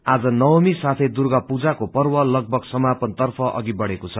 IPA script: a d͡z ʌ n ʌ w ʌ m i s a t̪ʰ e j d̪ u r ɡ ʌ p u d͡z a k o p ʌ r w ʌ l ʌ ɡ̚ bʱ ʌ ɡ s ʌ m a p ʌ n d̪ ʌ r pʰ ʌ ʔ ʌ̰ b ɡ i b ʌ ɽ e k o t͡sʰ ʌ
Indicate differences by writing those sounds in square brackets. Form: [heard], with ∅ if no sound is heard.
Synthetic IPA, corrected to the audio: a d͡z ʌ n ʌ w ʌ m i s a t̪ʰ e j d̪ u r ɡ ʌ p u d͡z a k o p ʌ r w ʌ l ʌ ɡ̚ bʱ ʌ ɡ s ʌ m a p ʌ n [t̪] ʌ r pʰ ʌ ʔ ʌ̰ [∅] ɡ i b ʌ ɽ e k o t͡sʰ ʌ

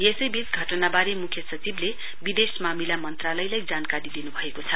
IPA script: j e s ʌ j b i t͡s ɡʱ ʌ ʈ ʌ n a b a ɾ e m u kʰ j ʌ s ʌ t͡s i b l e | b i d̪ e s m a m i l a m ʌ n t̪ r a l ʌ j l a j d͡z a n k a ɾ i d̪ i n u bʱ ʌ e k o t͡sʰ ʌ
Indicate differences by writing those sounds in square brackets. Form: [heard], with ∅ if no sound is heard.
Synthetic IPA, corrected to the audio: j e s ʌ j b i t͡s ɡʱ ʌ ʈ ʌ n a b a ɾ e m u kʰ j ʌ s ʌ t͡s i b l e | b i d̪ e s m a m i l a m ʌ n t̪ r a l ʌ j l a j d͡z a n k a ɾ i d̪ i n u bʱ ʌ e k o t͡sʰ ʌ

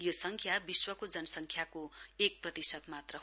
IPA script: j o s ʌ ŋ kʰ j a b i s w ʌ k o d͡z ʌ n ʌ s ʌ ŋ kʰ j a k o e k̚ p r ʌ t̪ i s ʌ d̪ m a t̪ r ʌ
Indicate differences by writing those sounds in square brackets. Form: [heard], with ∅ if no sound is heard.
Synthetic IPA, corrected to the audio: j o s ʌ ŋ kʰ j a b i s w ʌ k o d͡z ʌ n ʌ s ʌ ŋ kʰ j a k o e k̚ p r ʌ t̪ i s ʌ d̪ m a t̪ r ʌ

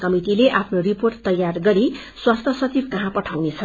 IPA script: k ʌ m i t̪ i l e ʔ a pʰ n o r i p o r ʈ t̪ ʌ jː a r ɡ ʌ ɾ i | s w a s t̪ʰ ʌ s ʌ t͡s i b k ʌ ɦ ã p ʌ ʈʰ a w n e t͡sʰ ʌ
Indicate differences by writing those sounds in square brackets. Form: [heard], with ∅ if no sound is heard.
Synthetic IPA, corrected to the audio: k ʌ m i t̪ i l e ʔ a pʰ n o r i p o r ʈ t̪ ʌ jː a r ɡ ʌ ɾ i | s w a s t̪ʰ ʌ s ʌ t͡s i b k ʌ ɦ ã p ʌ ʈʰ a w n e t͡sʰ ʌ

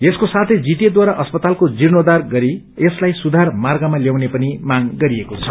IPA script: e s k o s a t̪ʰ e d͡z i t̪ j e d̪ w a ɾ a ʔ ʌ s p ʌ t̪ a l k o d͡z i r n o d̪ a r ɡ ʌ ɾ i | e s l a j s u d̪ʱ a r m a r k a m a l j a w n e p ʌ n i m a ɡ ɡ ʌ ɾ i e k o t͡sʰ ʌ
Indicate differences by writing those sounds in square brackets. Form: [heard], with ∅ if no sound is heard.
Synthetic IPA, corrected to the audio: e s k o s a t̪ʰ e d͡z i t̪ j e d̪ w a ɾ a ʔ ʌ s p ʌ t̪ a l k o d͡z i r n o d̪ a r ɡ ʌ ɾ i | e s l a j s u d̪ʱ a r m a r [ɡ] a m a l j a w n e p ʌ n i m a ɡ ɡ ʌ ɾ i e k o t͡sʰ ʌ

